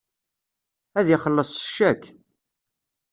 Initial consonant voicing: voiced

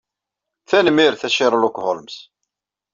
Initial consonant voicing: voiceless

